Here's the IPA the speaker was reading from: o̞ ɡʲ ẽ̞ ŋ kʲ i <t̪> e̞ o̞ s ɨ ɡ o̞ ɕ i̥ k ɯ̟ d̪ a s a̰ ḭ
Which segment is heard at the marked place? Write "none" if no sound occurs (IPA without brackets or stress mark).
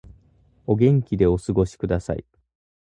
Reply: d̪